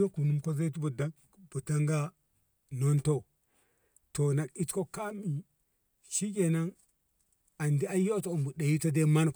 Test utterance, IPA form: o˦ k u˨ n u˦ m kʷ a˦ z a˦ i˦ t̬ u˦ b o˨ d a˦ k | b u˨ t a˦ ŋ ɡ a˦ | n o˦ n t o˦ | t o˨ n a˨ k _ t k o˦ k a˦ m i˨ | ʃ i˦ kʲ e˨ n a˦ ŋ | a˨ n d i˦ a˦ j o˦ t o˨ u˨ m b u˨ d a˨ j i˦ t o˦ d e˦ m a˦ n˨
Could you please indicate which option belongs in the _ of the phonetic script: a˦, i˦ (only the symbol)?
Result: i˦